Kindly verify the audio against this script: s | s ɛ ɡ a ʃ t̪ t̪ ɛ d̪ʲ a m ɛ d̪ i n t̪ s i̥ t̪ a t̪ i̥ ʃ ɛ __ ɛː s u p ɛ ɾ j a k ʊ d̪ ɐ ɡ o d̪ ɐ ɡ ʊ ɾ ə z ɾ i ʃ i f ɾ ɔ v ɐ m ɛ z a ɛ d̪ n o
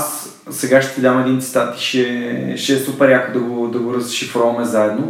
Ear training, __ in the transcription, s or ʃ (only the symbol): ʃ